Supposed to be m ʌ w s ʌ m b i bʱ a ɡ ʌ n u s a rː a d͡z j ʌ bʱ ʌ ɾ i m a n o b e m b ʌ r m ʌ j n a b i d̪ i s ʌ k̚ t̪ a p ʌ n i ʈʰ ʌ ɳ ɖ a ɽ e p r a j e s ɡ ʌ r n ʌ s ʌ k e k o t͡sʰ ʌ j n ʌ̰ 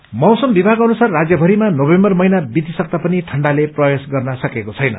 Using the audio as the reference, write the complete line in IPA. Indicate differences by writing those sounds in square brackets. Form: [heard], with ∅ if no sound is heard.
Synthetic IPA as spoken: m ʌ w s ʌ m b i bʱ a ɡ ʌ n u s a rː a d͡z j ʌ bʱ ʌ ɾ i m a n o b e m b ʌ r m ʌ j n a b i d̪ i s ʌ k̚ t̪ a p ʌ n i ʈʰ ʌ ɳ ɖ a [l] e p r [ʌ] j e s ɡ ʌ r n ʌ s ʌ k e k o t͡sʰ ʌ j n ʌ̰

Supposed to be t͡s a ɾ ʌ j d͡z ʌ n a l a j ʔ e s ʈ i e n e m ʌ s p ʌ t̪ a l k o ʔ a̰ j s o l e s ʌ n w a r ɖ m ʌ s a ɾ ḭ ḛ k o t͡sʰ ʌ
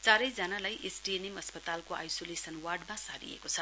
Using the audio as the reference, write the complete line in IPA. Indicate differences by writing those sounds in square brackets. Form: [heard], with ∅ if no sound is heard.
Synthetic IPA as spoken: t͡s a ɾ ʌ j d͡z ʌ n a l a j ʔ e s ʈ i e n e m ʌ s p ʌ t̪ a l k o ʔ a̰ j s o l e s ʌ n w a r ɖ m [a] s a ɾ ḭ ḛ k o t͡sʰ ʌ

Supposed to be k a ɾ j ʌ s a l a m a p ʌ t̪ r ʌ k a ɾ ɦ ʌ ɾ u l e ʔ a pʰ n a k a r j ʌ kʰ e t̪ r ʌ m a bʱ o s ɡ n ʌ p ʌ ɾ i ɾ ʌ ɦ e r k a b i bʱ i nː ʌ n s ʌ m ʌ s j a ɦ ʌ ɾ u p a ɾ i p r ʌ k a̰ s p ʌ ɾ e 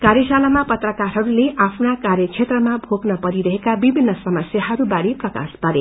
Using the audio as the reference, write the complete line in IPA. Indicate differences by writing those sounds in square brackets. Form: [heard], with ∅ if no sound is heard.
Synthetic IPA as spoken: k a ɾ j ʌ s a l a m a p ʌ t̪ r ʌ k a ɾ ɦ ʌ ɾ u l e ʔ a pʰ n a k a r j ʌ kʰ e t̪ r ʌ m a bʱ o [∅] ɡ n ʌ p ʌ ɾ i ɾ ʌ ɦ e [∅] k a b i bʱ i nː ʌ [∅] s ʌ m ʌ s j a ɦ ʌ ɾ u [b] a ɾ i p r ʌ k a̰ s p ʌ ɾ e

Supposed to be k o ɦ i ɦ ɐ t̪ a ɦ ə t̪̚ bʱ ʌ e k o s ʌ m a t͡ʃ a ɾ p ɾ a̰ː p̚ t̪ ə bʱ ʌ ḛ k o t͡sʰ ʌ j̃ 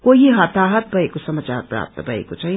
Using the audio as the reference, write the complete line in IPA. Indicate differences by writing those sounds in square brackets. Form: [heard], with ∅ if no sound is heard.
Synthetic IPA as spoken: k o ɦ i ɦ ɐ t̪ a ɦ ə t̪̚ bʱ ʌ e k o s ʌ m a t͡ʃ a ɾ p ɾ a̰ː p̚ t̪ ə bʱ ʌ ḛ k o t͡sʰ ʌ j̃

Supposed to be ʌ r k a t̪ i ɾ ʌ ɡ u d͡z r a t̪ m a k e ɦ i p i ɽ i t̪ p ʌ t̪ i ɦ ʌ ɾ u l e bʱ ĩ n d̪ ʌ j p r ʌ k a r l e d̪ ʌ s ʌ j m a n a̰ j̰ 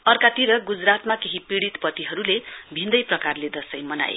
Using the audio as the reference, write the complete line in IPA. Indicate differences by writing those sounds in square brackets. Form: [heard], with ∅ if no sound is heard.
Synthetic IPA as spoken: ʌ r k a t̪ i ɾ ʌ ɡ u d͡z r a t̪ m a k e ɦ i p i ɽ i t̪ p ʌ t̪ i ɦ ʌ ɾ u l e bʱ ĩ n d̪ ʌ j p r ʌ k a r l e d̪ ʌ s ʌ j m [ʌ] n a̰ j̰

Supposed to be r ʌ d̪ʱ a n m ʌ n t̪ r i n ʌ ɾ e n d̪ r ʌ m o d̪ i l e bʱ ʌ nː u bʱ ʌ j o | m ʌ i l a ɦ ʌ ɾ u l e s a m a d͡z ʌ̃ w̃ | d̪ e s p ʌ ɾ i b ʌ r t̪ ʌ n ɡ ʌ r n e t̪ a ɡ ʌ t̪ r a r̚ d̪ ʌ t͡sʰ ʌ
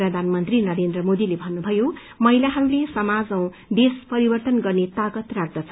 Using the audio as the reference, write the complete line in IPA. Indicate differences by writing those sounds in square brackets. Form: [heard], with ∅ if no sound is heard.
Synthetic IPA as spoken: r ʌ d̪ʱ a n m ʌ n t̪ r i n ʌ ɾ e n d̪ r ʌ m o d̪ i l e bʱ ʌ nː u bʱ ʌ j o | m ʌ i l a ɦ ʌ ɾ u l e s [ʌ] m a d͡z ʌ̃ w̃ | d̪ e s p ʌ ɾ i b ʌ r t̪ ʌ n ɡ ʌ r n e t̪ a ɡ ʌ t̪ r a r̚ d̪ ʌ t͡sʰ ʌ

